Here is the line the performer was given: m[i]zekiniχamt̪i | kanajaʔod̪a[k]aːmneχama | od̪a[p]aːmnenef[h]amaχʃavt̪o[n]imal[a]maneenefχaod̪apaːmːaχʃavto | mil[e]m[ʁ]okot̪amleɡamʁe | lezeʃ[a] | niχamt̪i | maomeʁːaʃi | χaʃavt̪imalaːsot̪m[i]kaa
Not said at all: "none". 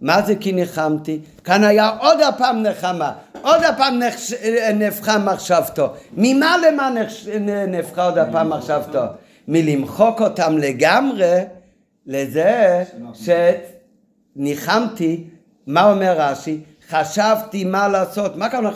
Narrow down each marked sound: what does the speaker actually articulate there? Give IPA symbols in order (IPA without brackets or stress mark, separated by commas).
a, p, p, χ, m, e, i, χ, e, a